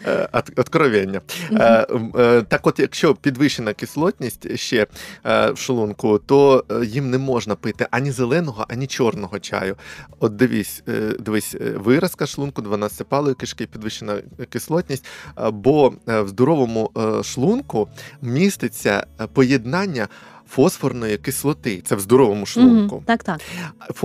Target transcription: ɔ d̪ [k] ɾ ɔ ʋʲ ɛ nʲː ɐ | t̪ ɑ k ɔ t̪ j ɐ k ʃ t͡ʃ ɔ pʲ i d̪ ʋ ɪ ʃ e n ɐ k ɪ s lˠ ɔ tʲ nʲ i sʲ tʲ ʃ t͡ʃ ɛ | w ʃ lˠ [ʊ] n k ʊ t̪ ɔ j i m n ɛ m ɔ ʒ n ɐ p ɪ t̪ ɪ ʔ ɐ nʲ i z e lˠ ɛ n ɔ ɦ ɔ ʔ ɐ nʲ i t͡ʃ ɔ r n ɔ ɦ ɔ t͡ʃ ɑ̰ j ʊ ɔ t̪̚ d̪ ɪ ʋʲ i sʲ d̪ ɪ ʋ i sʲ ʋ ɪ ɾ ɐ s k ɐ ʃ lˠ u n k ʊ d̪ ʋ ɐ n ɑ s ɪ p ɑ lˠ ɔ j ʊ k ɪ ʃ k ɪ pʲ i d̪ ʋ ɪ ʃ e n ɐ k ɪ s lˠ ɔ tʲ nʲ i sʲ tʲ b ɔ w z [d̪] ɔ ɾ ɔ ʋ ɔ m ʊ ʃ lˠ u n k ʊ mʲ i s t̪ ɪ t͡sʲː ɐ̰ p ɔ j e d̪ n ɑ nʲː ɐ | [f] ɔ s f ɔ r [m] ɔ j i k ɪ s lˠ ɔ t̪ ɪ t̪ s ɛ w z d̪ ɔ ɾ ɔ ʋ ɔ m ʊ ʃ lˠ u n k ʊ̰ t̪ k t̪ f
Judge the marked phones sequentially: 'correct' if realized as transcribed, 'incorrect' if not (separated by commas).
correct, incorrect, correct, correct, incorrect